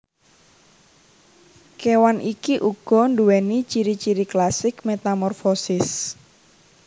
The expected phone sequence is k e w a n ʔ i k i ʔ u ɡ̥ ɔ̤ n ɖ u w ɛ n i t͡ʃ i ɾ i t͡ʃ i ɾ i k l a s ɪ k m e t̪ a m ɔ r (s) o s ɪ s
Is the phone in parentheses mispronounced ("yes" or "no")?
yes